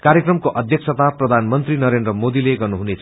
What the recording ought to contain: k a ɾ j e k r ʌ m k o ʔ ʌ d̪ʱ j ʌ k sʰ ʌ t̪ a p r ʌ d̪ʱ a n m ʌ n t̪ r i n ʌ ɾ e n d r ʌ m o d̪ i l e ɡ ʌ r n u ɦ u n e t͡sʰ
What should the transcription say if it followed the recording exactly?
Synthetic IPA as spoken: k a ɾ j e k r ʌ m k o ʔ ʌ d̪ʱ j ʌ k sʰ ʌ t̪ a p r ʌ d̪ʱ a n m ʌ n t̪ r i n ʌ ɾ e n d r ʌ m o d̪ i l e ɡ ʌ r n u ɦ u n e t͡sʰ

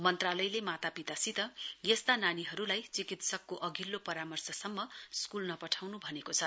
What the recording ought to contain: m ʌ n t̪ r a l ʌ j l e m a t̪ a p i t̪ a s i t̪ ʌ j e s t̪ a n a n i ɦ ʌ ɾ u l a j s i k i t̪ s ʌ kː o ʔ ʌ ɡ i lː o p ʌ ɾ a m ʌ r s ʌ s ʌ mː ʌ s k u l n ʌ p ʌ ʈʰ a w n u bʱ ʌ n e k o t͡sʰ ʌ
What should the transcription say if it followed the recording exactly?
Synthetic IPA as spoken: m ʌ n t̪ r a l ʌ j l e m a t̪ a p i t̪ a s i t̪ ʌ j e s t̪ a n a n i ɦ ʌ ɾ u l a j t͡s i k i t̪ s ʌ kː o ʔ ʌ ɡ i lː o p ʌ ɾ a m ʌ r s ʌ s ʌ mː ʌ s k u l n ʌ p ʌ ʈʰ a w n u bʱ ʌ n e k o t͡sʰ ʌ

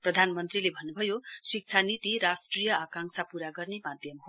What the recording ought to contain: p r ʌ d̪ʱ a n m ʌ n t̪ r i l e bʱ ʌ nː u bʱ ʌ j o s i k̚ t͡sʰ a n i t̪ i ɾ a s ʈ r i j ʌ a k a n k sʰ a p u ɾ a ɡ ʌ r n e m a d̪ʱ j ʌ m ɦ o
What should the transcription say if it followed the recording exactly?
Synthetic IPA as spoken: p r ʌ d̪ʱ a n m ʌ n t̪ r i l e bʱ ʌ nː u bʱ ʌ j o s i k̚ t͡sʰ a n i t̪ i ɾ a s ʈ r i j ʌ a k a ŋ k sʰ a p u ɾ a ɡ ʌ r n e m a d̪ʱ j ʌ m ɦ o

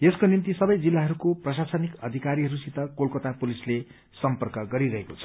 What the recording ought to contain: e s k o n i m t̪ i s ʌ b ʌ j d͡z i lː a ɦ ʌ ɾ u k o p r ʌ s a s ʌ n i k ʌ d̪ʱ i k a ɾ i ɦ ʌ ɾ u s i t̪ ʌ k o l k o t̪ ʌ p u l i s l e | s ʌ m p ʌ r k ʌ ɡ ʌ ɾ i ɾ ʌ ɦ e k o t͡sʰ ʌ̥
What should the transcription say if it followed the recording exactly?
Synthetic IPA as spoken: e s k o n i n t̪ i s ʌ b ʌ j d͡z i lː a ɦ ʌ ɾ u k o p r ʌ s a s ʌ n i k ʌ d̪ʱ i k a ɾ i ɦ ʌ ɾ u s i t̪ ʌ k o l k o t̪ a p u l i s l e | s ʌ m p ʌ r k ʌ ɡ ʌ ɾ i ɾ ʌ ɦ e k o t͡sʰ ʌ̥

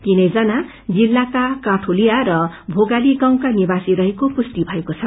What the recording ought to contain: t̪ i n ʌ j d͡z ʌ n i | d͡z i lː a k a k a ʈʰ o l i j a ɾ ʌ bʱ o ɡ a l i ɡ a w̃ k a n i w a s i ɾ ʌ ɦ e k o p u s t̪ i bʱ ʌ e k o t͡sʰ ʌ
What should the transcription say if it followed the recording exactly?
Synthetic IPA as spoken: t̪ i n ʌ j d͡z ʌ n a | d͡z i lː a k a k a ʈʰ o l i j a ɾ ʌ bʱ o ɡ a l i ɡ a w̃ k a n i b a s i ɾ ʌ ɦ e k o p u s t̪ i bʱ ʌ e k o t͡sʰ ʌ

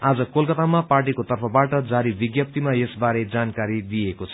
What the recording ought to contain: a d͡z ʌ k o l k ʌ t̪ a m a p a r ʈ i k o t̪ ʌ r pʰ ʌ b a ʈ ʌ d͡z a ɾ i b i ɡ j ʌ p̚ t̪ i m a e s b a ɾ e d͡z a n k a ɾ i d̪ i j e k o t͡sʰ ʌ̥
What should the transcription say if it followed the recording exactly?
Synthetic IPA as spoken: a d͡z ʌ k o l k ʌ t̪ a m a p a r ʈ i k o t̪ ʌ r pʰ ʌ b a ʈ ʌ d͡z a ɾ i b i ɡ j ʌ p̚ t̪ i m a e s b a ɾ e d͡z a n k a ɾ i d̪ i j e k o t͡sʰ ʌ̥

